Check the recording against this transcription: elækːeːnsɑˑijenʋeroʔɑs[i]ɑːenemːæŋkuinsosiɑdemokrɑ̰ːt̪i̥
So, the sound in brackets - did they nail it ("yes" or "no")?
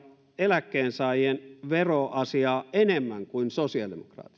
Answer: yes